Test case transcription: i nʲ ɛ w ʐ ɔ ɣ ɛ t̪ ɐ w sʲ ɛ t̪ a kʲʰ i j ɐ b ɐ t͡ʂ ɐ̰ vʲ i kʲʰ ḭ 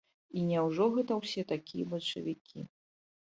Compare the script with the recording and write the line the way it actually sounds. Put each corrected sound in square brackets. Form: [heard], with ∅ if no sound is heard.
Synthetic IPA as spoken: i nʲ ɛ w ʐ ɔ ɣ ɛ t̪ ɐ w sʲ ɛ t̪ a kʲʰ i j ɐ b ɐ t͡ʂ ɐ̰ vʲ i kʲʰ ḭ